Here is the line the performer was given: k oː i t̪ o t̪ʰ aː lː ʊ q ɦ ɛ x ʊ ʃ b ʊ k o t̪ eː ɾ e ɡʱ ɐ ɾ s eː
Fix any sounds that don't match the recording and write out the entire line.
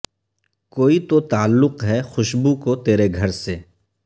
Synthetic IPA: k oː i t̪ o t̪ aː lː ʊ q ɦ ɛ x ʊ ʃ b u k o t̪ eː ɾ e ɡʱ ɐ ɾ s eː